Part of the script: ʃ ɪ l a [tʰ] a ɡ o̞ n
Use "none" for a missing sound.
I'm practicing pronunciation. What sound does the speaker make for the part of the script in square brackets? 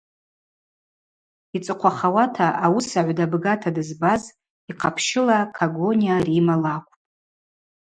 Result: kʰ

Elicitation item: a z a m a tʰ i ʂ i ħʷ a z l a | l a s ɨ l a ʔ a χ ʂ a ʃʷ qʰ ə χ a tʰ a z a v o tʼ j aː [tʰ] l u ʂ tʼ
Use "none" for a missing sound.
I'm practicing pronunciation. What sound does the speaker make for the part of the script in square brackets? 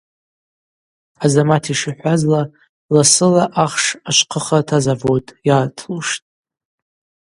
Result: tʰ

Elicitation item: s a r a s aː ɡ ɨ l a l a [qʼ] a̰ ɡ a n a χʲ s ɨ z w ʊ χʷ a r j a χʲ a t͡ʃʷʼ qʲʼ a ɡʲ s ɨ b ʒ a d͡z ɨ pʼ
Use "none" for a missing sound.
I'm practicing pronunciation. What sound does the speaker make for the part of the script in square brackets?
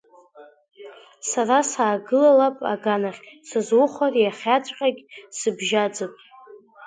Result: pʼ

